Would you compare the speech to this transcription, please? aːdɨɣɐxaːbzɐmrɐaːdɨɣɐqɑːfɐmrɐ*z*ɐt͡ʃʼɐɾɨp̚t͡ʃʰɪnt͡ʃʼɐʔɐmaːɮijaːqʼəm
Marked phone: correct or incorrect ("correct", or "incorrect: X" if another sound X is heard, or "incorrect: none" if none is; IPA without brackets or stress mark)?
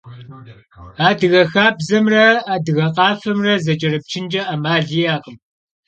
correct